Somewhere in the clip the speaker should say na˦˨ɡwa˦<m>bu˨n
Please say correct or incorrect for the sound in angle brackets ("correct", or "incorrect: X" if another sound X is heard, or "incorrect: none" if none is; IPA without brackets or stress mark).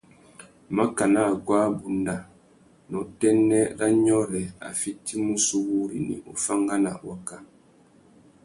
incorrect: none